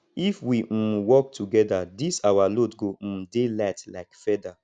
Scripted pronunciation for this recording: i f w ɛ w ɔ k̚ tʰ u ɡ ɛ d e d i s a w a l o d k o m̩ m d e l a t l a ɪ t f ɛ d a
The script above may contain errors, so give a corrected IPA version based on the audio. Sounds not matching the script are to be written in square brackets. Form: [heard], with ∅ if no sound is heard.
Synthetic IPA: i f w [i] w ɔ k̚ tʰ u ɡ ɛ d [a] d i s a w a l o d [ɡ] o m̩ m d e l a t l a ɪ [k] f ɛ d a